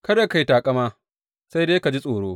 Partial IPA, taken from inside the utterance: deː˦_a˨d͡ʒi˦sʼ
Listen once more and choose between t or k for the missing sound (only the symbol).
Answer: k